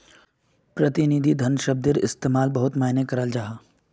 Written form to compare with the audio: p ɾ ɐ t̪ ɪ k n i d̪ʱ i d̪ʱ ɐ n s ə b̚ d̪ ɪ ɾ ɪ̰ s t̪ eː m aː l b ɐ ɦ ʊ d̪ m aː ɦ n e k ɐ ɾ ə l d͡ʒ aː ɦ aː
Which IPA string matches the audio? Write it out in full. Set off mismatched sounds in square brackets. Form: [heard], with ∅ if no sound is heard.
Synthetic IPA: p ɾ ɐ t̪ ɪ [∅] n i d̪ʱ i d̪ʱ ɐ n [ʃ] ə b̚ d̪ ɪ ɾ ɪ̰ s t̪ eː m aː l b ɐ ɦ ʊ [t̪] m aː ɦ n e k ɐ ɾ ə l d͡ʒ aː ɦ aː

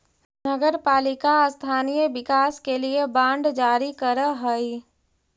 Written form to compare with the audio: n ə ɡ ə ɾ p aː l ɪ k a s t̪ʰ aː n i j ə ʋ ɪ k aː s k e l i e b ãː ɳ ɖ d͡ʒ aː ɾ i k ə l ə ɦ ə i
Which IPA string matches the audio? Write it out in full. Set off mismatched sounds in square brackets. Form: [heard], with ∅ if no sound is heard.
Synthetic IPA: n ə ɡ ə ɾ p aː l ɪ k a s t̪ʰ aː n i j ə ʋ ɪ k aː s k e l i e b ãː ɳ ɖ d͡ʒ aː ɾ i k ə [ɾ] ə ɦ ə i

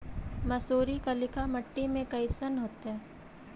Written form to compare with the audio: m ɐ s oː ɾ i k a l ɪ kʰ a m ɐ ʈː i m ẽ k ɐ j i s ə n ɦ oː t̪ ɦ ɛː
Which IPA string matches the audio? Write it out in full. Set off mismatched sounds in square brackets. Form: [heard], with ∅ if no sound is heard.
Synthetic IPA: m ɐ s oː ɾ i k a l ɪ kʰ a m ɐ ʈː i m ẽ k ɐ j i s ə n ɦ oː t̪ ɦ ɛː

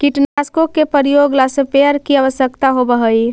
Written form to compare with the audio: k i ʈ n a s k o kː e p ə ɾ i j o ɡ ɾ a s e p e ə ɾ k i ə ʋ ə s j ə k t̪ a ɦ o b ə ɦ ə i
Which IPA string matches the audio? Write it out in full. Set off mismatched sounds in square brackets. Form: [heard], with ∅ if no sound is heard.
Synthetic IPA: k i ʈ n a s k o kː e p ə ɾ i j o ɡ [l] a s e p e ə ɾ k i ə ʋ ə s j ə k t̪ a ɦ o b ə ɦ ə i

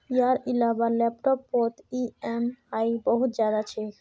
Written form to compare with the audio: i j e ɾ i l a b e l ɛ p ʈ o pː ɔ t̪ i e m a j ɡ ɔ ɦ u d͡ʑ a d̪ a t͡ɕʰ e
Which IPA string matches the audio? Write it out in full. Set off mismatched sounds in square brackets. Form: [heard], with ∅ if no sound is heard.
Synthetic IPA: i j [a] ɾ i l a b [a] l ɛ p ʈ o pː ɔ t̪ i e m a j [b] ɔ ɦ u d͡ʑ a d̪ a t͡ɕʰ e

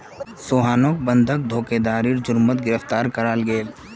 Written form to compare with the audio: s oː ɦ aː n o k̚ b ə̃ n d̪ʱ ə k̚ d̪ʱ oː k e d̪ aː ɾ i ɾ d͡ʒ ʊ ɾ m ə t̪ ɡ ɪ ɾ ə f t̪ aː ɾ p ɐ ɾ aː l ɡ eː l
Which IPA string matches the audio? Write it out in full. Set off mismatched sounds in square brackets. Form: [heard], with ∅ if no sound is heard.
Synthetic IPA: s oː ɦ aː n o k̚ b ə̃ n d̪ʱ ə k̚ d̪ʱ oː k e d̪ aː ɾ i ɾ d͡ʒ ʊ ɾ m ə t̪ ɡ ɪ ɾ ə f t̪ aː ɾ [k] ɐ ɾ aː l ɡ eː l

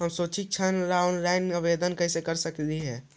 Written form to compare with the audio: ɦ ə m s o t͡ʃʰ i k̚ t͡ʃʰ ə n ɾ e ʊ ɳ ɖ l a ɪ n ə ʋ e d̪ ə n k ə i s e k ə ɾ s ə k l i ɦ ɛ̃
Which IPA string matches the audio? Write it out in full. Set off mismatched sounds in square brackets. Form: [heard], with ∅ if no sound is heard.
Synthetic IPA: ɦ ə m s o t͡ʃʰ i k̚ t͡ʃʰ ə n ɾ [a] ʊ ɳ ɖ [ɾ] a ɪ n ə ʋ e d̪ ə n k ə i s e k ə ɾ s ə k l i ɦ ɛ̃

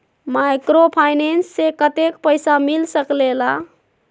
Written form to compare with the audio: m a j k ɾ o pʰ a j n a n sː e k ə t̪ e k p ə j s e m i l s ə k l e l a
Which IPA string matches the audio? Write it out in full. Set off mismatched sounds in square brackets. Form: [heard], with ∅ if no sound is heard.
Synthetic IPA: m a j k ɾ o pʰ a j n [e] n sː e k ə t̪ e k p ə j s [a] m i l s ə k l e l a

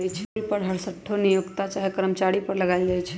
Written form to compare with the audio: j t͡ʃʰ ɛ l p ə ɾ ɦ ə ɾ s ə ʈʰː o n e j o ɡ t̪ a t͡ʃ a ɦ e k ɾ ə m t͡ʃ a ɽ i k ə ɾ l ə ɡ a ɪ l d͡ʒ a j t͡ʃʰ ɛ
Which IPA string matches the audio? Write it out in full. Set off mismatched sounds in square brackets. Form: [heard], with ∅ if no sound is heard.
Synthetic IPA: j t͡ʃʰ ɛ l p ə ɾ ɦ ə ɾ s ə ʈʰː o n [i] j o ɡ t̪ a t͡ʃ a ɦ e k ɾ ə m t͡ʃ a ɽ i [p] ə ɾ l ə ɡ a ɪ l d͡ʒ a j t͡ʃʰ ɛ

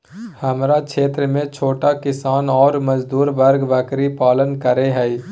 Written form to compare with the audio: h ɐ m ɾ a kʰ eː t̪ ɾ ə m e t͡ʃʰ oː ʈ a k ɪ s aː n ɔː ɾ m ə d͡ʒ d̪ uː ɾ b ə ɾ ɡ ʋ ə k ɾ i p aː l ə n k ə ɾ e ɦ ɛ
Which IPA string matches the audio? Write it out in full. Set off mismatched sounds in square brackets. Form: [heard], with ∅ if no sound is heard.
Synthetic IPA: h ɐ m ɾ a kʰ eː t̪ ɾ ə m [ẽ] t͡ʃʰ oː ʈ a k ɪ s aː n ɔː ɾ m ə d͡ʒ d̪ uː ɾ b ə ɾ ɡ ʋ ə k ɾ i p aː l ə n k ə ɾ e ɦ ɛ

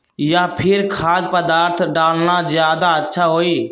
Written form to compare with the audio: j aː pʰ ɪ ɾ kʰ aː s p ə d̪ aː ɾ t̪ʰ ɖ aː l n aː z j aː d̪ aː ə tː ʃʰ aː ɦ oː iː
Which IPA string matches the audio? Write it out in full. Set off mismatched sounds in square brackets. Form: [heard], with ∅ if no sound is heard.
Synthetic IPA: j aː pʰ ɪ ɾ kʰ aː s p ə d̪ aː ɾ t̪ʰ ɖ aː l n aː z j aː d̪ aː ə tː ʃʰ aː ɦ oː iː

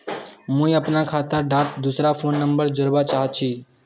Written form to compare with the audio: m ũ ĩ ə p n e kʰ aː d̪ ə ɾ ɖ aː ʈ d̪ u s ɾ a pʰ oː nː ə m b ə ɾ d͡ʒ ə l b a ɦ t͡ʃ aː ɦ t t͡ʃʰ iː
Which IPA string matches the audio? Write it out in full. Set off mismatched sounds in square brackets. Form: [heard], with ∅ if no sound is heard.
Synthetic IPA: m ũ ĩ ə p n [a] kʰ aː [t̪] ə ɾ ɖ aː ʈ d̪ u s ɾ a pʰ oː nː ə m b ə ɾ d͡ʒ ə [ɾ] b a [∅] t͡ʃ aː ɦ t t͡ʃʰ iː

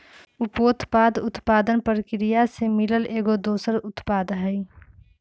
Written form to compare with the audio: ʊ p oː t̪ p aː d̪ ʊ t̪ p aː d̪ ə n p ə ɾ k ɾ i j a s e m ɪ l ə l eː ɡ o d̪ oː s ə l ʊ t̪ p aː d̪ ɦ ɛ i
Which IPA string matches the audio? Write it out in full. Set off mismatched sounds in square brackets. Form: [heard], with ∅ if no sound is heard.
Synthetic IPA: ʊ p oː t̪ p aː d̪ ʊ t̪ p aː d̪ ə n p ə ɾ k ɾ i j a s e m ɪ l ə l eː ɡ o d̪ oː s ə [ɾ] ʊ t̪ p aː d̪ ɦ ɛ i

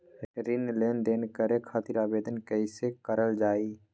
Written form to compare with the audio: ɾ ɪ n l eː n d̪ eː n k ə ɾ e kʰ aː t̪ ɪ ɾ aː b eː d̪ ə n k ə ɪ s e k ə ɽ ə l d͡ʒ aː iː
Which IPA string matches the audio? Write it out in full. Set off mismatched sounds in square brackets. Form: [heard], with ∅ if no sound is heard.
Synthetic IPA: ɾ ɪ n l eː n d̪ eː n k ə ɾ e kʰ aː t̪ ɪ ɾ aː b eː d̪ ə n k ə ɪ s e k ə [ɾ] ə l d͡ʒ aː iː

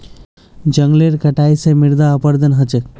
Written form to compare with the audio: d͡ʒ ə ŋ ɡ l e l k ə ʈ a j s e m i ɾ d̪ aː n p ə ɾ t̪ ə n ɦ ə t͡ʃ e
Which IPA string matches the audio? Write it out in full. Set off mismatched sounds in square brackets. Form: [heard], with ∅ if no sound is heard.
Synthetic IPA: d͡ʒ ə ŋ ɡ l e [ɾ] k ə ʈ a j s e m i ɾ d̪ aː [∅] p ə ɾ [d̪] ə n ɦ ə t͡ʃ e

